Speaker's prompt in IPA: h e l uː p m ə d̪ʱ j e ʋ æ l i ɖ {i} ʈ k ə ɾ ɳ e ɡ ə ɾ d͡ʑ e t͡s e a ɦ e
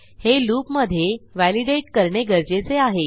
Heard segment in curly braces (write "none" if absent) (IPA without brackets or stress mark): e